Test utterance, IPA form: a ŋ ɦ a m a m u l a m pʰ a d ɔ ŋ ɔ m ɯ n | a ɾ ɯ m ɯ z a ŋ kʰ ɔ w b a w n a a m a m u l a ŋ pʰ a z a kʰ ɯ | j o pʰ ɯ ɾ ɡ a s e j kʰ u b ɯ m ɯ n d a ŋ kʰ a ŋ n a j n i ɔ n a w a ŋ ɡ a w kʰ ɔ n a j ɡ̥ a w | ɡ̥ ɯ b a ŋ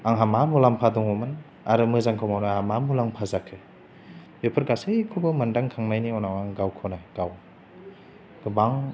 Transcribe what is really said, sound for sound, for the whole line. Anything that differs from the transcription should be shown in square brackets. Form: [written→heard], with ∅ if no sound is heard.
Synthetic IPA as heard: a ŋ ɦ a m a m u l a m pʰ a d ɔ ŋ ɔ m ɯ n | a ɾ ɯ m ɯ z a ŋ kʰ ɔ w [b→m] a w n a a m a m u l a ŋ pʰ a z a kʰ ɯ | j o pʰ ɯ ɾ ɡ a s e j kʰ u b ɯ m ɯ n d a ŋ kʰ a ŋ n a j n i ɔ n a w a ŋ ɡ a w kʰ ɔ n a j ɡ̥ a w | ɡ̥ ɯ b a ŋ